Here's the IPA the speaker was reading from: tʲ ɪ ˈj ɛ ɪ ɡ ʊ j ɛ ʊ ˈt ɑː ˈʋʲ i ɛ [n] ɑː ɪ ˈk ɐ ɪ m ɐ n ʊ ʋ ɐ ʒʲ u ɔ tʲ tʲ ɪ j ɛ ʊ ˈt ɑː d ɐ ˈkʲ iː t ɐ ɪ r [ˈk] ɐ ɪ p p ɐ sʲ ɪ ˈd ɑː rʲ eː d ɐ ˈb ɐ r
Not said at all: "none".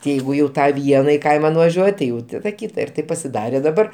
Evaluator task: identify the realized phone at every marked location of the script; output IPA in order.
n, t

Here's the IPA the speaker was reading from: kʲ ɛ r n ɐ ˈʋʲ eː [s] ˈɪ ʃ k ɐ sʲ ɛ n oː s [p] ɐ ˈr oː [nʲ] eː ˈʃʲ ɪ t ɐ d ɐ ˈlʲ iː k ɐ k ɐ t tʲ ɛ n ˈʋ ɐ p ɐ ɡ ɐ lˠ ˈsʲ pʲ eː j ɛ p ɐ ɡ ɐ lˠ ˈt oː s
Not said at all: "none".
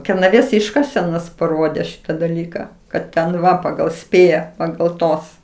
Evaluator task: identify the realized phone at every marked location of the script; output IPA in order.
s, p, dʲ

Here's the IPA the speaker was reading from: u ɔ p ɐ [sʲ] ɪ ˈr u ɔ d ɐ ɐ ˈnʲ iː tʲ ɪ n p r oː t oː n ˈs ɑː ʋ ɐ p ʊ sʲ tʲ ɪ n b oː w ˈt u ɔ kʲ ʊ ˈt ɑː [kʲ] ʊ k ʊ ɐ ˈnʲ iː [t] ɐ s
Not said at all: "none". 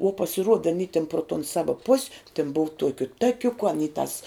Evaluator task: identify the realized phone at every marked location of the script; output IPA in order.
sʲ, kʲ, t

